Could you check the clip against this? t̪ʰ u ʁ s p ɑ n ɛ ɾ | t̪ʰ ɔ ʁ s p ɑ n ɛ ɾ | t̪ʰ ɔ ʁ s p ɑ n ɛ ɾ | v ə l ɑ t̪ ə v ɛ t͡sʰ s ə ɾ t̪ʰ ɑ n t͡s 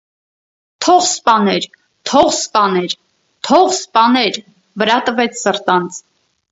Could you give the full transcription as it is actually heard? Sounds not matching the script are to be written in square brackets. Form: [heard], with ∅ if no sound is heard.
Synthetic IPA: t̪ʰ [ɔ] ʁ s p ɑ n ɛ ɾ | t̪ʰ ɔ ʁ s p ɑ n ɛ ɾ | t̪ʰ ɔ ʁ s p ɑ n ɛ ɾ | v ə [ɾ] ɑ t̪ ə v ɛ t͡sʰ s ə ɾ [t̪] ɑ n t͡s